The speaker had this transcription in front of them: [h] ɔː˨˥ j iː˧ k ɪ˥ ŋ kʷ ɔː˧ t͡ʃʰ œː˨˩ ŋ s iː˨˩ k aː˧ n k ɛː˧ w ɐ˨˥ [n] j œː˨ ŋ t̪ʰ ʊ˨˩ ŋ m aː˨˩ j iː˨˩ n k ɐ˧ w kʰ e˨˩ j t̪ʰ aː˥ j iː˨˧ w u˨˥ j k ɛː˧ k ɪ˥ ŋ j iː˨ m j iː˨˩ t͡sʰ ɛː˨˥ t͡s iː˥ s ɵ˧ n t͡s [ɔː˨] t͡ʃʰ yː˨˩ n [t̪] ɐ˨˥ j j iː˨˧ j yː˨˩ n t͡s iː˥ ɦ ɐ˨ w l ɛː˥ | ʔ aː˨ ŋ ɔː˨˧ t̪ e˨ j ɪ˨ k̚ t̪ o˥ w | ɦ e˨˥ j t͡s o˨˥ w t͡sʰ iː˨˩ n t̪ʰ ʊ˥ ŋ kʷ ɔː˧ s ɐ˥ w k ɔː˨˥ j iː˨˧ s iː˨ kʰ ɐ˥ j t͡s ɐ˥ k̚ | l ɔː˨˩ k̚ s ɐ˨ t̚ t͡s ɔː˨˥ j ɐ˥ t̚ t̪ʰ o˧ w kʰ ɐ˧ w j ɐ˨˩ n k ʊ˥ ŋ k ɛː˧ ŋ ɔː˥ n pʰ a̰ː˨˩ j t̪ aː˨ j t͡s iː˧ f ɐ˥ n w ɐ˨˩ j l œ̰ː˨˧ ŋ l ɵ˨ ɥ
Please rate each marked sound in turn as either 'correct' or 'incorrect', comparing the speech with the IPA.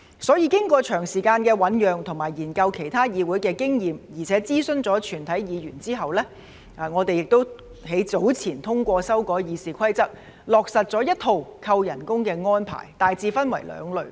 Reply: incorrect, correct, incorrect, incorrect

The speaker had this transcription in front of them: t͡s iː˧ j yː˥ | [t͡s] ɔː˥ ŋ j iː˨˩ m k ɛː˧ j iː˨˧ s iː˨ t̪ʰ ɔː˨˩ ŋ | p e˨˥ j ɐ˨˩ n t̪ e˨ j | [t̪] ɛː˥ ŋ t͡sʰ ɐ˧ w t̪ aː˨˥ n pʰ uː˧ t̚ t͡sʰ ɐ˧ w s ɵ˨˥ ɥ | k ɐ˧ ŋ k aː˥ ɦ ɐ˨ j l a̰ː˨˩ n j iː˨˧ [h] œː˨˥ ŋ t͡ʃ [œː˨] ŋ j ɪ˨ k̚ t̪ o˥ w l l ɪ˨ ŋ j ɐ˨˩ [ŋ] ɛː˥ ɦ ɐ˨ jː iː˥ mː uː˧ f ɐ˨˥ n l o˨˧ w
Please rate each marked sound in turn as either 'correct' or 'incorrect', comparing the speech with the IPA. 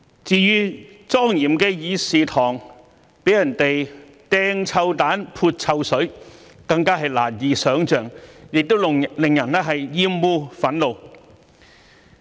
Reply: correct, correct, incorrect, correct, incorrect

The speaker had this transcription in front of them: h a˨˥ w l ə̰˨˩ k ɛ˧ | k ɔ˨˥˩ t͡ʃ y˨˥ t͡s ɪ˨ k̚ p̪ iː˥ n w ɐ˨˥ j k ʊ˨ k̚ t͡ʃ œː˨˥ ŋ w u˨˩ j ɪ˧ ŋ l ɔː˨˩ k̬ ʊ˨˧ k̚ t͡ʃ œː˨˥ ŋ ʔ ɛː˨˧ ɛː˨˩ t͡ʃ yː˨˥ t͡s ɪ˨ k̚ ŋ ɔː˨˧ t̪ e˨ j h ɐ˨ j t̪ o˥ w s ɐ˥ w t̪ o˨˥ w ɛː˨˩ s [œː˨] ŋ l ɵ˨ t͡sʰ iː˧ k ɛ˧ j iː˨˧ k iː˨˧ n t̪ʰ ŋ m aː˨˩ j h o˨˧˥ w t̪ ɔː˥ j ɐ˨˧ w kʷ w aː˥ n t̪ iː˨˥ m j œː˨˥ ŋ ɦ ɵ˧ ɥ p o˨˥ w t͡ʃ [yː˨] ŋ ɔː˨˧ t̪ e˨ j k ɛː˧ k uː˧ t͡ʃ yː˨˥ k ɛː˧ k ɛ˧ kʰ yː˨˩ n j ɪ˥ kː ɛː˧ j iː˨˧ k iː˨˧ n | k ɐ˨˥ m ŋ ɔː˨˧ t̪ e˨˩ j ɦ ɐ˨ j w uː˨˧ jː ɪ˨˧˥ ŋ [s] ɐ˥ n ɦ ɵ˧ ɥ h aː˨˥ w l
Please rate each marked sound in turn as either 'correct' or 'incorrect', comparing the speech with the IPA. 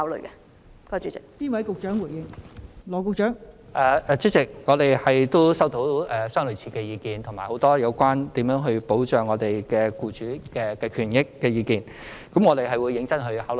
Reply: incorrect, incorrect, incorrect

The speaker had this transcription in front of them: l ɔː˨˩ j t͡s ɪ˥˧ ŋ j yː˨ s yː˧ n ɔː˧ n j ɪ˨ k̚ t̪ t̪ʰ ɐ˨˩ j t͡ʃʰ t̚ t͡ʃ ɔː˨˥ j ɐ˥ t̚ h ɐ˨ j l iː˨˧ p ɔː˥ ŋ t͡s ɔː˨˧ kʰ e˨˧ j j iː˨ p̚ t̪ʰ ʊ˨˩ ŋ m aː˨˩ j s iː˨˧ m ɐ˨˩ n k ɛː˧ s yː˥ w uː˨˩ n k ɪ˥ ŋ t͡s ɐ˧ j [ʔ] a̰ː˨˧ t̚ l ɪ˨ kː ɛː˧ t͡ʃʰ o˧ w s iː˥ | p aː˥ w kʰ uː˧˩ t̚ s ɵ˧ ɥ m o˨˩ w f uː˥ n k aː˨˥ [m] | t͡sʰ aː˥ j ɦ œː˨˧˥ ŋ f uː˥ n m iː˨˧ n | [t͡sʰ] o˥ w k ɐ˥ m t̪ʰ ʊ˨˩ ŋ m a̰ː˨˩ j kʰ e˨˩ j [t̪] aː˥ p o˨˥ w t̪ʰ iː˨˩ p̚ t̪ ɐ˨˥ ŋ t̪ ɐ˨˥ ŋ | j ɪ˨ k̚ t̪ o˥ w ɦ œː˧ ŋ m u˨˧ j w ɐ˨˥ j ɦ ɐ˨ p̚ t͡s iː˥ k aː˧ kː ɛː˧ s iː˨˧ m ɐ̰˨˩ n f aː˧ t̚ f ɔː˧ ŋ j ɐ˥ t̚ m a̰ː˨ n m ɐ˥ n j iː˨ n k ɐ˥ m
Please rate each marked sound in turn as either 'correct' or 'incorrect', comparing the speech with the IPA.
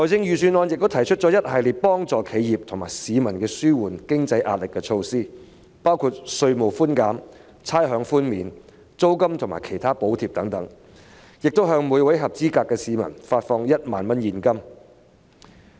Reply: correct, correct, incorrect, incorrect

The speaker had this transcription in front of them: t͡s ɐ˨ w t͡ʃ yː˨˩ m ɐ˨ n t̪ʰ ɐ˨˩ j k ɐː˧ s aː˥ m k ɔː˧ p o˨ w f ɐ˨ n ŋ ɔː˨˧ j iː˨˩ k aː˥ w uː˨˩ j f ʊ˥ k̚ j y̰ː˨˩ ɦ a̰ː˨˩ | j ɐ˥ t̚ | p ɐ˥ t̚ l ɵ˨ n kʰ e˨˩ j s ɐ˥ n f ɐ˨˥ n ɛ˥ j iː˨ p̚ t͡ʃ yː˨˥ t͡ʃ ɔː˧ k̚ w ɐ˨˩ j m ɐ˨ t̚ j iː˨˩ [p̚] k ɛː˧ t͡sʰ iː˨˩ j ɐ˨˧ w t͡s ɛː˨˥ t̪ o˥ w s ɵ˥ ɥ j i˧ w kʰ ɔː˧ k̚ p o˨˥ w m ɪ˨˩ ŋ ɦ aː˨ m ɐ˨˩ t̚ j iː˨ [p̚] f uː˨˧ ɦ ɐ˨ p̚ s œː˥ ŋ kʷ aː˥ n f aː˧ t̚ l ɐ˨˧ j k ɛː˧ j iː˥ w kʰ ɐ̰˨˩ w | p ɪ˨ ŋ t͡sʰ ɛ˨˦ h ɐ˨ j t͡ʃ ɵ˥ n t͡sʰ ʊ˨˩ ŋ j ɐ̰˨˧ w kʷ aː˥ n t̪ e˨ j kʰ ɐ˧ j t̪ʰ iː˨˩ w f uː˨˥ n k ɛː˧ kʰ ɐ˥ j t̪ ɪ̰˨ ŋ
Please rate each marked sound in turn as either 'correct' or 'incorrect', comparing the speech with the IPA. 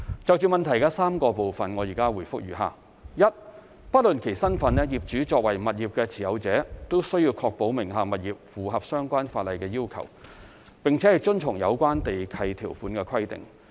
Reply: correct, correct

